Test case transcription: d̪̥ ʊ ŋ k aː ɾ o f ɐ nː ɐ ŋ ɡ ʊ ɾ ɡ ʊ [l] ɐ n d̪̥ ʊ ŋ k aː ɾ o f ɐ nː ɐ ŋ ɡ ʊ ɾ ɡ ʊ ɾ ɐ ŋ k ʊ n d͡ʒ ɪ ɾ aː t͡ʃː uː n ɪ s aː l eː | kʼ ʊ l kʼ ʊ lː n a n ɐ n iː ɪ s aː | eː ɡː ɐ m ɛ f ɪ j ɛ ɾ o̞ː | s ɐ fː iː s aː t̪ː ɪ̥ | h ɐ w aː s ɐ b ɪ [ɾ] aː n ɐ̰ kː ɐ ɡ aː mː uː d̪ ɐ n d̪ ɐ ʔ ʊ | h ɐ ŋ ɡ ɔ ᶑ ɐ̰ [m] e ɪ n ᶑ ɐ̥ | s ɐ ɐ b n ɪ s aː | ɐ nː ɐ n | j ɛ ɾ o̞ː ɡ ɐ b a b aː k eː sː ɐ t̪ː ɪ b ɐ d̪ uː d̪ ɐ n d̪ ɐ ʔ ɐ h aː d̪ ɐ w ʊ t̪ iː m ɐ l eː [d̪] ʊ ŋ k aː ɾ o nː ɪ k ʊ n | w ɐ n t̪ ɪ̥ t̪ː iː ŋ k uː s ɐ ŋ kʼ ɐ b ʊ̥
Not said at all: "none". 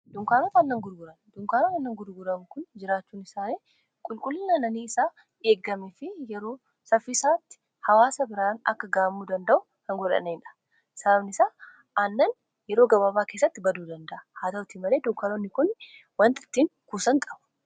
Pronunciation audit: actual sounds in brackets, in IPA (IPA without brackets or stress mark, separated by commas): ɾ, ɾ, n, d̪